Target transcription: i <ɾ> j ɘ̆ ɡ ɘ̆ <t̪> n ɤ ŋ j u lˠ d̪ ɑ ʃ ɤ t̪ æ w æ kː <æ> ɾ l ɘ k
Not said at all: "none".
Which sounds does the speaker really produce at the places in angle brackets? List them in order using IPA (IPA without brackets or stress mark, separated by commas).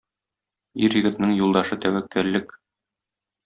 ɾ, t̪, æ